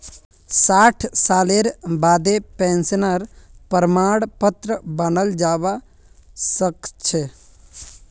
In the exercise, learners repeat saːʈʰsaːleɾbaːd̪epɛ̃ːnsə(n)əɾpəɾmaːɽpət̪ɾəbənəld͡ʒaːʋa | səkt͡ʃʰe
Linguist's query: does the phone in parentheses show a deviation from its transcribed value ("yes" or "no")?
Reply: no